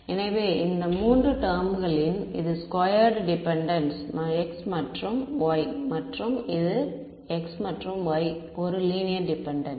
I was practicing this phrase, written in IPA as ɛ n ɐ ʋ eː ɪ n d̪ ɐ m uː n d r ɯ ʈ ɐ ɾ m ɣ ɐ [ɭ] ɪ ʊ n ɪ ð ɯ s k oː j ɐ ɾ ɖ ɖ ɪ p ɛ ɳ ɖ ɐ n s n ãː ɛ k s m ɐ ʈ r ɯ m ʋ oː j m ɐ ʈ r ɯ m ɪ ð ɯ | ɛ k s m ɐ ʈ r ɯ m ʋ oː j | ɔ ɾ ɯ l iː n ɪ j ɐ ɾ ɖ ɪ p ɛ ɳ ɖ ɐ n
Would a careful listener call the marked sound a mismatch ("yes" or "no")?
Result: no